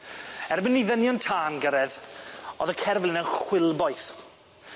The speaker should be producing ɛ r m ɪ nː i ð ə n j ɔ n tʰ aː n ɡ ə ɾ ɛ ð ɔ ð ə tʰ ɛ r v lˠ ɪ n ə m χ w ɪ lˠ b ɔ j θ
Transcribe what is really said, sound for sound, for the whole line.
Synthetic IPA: ɛ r b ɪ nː i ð ə n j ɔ n tʰ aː n ɡ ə ɾ ɛ ð ɔ ð ə kʰ ɛ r v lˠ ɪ n ə n χ w ɪ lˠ b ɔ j θ